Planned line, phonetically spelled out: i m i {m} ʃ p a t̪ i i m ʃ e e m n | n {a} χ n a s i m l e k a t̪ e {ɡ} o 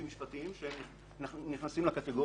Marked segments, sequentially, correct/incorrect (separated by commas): incorrect, incorrect, correct